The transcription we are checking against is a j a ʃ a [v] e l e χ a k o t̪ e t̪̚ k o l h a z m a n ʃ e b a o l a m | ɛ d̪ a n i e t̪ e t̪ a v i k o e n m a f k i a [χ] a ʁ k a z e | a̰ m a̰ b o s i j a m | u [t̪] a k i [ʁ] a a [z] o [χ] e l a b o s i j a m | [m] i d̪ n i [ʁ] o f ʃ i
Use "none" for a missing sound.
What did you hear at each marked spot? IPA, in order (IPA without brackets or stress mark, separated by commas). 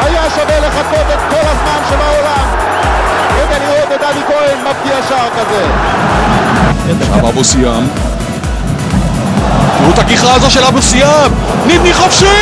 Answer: v, ʃ, t̪, χ, z, ʃ, n, χ